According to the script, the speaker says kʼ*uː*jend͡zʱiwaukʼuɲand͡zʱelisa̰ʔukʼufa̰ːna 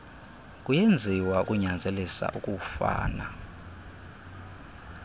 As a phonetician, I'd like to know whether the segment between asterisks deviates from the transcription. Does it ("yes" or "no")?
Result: yes